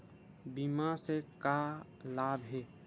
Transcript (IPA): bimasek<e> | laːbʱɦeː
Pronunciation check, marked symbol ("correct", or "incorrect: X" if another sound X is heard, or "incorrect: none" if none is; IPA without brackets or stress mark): incorrect: a